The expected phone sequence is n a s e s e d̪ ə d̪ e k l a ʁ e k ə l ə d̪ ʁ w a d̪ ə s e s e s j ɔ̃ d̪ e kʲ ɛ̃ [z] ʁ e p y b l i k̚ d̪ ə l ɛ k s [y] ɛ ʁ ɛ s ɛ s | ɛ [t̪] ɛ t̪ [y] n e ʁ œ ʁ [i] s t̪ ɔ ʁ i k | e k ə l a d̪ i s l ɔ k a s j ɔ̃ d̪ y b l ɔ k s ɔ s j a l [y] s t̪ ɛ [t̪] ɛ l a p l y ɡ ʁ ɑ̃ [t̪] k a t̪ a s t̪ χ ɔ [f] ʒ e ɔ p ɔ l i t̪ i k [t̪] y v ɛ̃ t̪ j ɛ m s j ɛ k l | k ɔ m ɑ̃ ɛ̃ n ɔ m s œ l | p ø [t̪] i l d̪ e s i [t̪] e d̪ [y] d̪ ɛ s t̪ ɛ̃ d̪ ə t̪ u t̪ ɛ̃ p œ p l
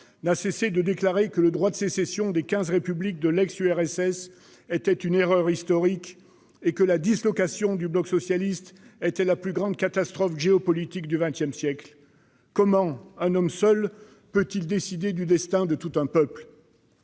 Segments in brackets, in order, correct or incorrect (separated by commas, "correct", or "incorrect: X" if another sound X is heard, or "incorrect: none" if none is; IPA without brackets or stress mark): correct, correct, correct, correct, correct, incorrect: i, correct, incorrect: d̪, correct, incorrect: d̪, correct, incorrect: d̪, correct